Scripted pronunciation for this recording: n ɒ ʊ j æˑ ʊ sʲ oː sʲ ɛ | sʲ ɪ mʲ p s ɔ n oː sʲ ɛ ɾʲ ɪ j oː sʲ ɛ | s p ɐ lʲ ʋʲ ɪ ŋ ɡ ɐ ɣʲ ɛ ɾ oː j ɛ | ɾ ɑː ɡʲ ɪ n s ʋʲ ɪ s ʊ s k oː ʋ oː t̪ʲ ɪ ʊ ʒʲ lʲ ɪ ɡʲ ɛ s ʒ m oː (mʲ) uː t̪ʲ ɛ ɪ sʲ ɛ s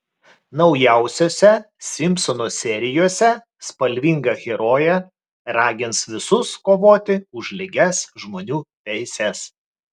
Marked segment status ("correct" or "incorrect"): incorrect